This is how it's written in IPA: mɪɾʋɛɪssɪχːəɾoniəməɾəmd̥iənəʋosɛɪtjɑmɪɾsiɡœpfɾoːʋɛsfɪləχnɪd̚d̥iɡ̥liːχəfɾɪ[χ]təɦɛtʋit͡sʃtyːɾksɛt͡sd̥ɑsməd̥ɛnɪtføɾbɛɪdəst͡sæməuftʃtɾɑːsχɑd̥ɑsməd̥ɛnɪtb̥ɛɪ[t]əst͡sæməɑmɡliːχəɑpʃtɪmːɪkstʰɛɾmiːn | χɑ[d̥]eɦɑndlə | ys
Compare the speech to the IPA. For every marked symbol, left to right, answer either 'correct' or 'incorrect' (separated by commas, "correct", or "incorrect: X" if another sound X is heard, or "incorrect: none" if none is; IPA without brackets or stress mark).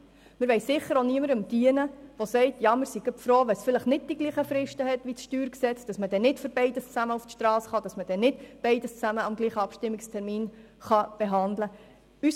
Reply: incorrect: ʃ, incorrect: d, incorrect: b̥